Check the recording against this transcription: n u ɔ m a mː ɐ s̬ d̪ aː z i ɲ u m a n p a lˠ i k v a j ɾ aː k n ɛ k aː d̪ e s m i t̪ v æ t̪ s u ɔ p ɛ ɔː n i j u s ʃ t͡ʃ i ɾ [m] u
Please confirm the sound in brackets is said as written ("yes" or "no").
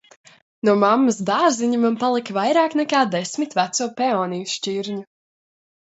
no